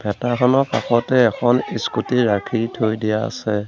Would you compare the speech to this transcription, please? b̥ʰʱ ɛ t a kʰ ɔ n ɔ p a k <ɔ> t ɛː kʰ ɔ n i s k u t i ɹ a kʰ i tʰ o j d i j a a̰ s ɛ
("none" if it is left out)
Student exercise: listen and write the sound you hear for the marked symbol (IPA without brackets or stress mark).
ɔ